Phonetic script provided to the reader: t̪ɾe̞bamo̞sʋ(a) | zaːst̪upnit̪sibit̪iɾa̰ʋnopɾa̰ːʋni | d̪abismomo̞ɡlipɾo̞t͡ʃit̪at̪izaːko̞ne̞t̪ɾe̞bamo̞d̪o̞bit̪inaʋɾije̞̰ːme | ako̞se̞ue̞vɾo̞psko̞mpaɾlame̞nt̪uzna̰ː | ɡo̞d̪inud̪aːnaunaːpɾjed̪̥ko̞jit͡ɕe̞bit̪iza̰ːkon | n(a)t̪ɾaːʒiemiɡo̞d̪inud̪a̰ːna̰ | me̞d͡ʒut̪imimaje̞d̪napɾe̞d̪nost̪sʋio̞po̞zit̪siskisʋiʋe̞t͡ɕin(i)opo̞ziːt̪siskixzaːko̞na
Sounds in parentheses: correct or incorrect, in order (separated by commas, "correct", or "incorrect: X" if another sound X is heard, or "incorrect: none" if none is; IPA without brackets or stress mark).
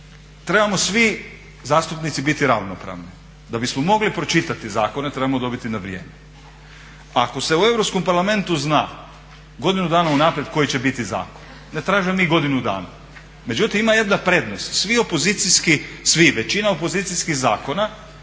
incorrect: i, incorrect: e, incorrect: a